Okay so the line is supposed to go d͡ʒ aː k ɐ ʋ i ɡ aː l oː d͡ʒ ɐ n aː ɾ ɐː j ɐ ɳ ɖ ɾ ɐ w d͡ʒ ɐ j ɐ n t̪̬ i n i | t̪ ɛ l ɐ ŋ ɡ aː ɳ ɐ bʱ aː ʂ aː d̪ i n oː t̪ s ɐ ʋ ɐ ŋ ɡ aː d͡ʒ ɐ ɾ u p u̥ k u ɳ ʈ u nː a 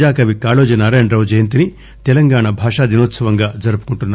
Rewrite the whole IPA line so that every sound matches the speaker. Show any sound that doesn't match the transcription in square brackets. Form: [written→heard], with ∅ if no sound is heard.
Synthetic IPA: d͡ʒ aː k ɐ ʋ i [ɡ→k] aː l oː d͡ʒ ɐ n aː ɾ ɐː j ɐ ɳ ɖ ɾ ɐ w d͡ʒ ɐ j ɐ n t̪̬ i n i | t̪ ɛ l ɐ ŋ ɡ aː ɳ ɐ bʱ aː ʂ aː d̪ i n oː t̪ s ɐ ʋ ɐ ŋ ɡ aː d͡ʒ ɐ ɾ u p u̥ k u ɳ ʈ u nː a

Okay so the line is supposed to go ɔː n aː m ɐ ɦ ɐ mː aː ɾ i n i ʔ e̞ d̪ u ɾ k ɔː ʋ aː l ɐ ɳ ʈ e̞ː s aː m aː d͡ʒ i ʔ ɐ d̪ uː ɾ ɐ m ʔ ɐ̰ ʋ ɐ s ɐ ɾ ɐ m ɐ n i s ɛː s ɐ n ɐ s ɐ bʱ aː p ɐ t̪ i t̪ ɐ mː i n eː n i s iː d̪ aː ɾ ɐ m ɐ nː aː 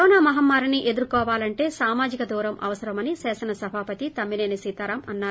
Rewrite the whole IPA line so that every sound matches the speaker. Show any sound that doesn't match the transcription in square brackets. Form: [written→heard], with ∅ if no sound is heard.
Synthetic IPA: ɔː n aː m ɐ ɦ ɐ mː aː ɾ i n i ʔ e̞ d̪ u ɾ k ɔː ʋ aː l ɐ ɳ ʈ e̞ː s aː m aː d͡ʒ i [ʔ→k] ɐ d̪ uː ɾ ɐ m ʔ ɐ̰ ʋ ɐ s ɐ ɾ ɐ m ɐ n i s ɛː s ɐ n ɐ s ɐ bʱ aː p ɐ t̪ i t̪ ɐ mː i n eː n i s iː [d̪→t̪] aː ɾ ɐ m ɐ nː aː

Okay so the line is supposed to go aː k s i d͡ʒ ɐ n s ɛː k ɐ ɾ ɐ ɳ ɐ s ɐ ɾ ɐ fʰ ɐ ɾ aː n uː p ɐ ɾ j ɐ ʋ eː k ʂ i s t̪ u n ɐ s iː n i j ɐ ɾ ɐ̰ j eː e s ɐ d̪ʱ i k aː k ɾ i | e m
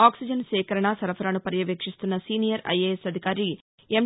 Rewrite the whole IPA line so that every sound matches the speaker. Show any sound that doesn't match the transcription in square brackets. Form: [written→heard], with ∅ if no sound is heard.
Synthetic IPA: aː k s i d͡ʒ ɐ n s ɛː k ɐ ɾ ɐ ɳ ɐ s ɐ ɾ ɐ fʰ ɐ ɾ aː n [uː→u] p ɐ ɾ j ɐ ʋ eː k ʂ i s t̪ u [n→nː] ɐ s iː n i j ɐ ɾ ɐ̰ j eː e s ɐ d̪ʱ i k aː [k→∅] ɾ i | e m

